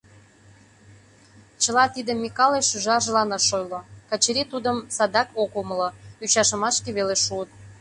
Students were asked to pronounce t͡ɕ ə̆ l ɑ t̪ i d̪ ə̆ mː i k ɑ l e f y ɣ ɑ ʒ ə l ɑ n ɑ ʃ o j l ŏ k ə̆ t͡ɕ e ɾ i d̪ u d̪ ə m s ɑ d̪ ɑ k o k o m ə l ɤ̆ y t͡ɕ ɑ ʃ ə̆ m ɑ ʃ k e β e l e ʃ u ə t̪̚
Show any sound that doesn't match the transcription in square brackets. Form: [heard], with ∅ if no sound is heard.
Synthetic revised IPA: t͡ɕ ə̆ l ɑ t̪ i d̪ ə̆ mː i k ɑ l e [ʃ] y [ʒ] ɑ ʒ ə l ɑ n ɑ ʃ o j l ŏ k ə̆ t͡ɕ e ɾ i [t̪] u d̪ ə m s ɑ d̪ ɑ k o k o m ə l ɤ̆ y t͡ɕ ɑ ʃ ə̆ m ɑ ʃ k e β e l e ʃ u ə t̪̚